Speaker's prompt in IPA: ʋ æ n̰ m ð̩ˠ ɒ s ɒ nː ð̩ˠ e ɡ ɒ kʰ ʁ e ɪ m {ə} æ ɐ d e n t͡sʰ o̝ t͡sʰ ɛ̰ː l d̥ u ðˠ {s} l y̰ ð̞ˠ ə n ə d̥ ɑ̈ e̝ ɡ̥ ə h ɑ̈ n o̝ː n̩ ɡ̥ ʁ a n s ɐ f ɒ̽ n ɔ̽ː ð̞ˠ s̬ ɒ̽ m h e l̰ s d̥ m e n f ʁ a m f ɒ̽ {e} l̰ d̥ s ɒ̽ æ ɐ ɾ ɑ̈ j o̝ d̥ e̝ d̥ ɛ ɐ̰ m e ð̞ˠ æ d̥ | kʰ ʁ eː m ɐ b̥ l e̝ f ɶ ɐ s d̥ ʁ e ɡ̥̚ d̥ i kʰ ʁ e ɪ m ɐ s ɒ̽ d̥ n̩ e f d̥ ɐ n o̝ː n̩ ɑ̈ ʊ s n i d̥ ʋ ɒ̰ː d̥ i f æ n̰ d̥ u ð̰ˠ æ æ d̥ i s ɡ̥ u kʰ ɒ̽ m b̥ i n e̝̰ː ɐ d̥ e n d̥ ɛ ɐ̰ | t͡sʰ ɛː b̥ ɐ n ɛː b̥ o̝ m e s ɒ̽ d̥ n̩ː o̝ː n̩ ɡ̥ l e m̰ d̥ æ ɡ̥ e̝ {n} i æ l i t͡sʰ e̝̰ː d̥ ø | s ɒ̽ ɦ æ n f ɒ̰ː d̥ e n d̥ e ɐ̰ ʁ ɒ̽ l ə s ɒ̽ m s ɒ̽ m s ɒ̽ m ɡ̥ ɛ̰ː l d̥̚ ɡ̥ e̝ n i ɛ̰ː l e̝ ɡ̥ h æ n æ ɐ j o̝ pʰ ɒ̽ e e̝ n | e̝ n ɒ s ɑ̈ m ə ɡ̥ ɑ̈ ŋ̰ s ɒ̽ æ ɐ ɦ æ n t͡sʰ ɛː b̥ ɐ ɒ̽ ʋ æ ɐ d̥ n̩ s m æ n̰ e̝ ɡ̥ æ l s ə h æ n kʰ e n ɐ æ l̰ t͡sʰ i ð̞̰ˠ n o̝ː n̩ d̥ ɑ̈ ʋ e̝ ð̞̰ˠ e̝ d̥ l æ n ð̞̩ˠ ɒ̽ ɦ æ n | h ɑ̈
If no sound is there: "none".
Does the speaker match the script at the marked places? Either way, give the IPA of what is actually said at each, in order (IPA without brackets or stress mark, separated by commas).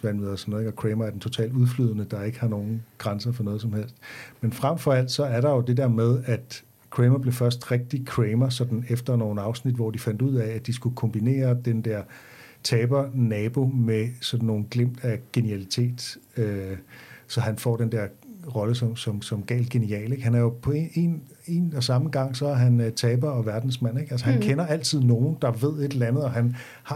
ɐ, f, æ, n